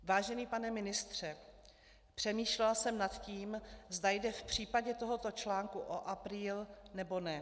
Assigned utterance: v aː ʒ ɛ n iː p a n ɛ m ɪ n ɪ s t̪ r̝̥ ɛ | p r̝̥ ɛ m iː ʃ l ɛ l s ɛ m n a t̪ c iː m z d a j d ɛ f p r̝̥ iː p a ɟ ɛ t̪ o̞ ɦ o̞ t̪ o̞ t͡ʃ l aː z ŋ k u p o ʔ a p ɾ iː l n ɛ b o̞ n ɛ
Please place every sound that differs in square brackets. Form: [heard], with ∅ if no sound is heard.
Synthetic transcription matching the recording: v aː ʒ ɛ n iː p a n ɛ m ɪ n ɪ s t̪ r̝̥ ɛ | p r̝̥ ɛ m iː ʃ l ɛ l s ɛ m n a t̪ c iː m z d a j d ɛ f p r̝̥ iː p a ɟ ɛ t̪ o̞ ɦ o̞ t̪ o̞ t͡ʃ l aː [∅] ŋ k u [ʔ] o ʔ a p ɾ iː l n ɛ b o̞ n ɛ